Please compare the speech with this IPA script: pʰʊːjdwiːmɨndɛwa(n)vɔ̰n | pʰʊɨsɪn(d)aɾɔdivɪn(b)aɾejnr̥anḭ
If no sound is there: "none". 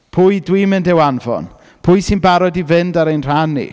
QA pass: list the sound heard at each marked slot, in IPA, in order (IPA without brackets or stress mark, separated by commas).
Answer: n, b, d